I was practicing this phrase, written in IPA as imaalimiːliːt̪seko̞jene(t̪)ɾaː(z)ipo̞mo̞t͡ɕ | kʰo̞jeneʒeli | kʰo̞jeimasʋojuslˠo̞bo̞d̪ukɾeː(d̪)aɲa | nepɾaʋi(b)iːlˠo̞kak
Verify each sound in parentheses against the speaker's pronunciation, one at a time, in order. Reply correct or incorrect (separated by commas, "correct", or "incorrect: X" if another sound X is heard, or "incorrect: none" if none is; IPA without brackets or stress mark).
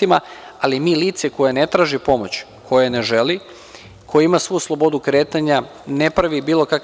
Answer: correct, incorrect: ʒ, incorrect: t̪, correct